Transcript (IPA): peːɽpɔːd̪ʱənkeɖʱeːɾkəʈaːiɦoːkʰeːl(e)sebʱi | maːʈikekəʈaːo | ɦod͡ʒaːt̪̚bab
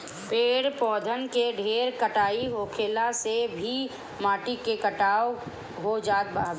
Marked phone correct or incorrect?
incorrect